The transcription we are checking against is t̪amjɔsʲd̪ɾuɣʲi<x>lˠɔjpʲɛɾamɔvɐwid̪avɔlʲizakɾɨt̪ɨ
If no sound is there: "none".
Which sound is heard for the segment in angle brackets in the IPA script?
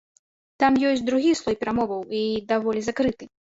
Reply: s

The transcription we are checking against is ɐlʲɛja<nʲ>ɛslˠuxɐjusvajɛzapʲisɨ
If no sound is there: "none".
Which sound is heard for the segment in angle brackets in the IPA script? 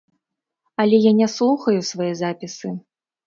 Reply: nʲ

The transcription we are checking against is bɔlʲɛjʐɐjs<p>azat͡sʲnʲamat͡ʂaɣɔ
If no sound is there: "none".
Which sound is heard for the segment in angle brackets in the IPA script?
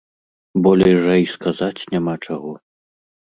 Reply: k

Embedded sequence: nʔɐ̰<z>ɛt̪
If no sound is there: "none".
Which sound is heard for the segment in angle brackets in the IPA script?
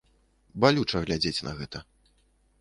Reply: ɣ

